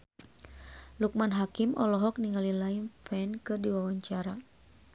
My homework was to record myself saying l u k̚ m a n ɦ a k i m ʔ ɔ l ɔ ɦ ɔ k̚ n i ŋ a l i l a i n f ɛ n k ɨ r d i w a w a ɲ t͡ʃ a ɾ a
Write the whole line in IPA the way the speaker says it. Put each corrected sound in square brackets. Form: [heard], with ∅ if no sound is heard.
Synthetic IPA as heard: l u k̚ m a n ɦ a k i m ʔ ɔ l ɔ ɦ ɔ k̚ n i ŋ a l i l a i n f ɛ n k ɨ r d i w a w a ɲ t͡ʃ a ɾ a